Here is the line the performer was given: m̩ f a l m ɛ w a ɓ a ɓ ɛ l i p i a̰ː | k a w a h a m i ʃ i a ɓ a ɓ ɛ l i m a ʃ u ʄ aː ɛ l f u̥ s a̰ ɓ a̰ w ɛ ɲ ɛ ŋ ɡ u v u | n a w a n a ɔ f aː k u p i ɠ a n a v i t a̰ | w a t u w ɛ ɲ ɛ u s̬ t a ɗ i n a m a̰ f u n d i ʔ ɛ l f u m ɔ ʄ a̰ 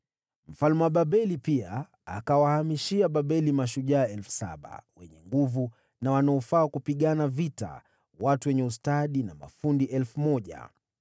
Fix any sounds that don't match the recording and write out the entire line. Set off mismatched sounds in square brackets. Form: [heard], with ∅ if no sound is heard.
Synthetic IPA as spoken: m̩ f a l m ɛ w a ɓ a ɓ ɛ l i p i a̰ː | k a w a h a m i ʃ i a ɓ a ɓ ɛ l i m a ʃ u ʄ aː ɛ l f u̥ s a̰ ɓ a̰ w ɛ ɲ ɛ ŋ ɡ u v u | n a w a n a ɔ f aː k u p i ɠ a n a v i t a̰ | w a t u w ɛ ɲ ɛ u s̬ t a ɗ i n a m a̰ f u n d i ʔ ɛ l f u m ɔ ʄ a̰